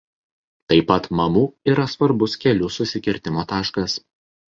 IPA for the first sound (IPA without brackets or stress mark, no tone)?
t̪